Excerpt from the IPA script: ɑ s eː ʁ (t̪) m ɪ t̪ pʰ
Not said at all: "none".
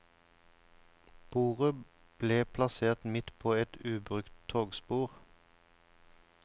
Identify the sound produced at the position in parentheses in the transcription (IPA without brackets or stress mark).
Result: t̪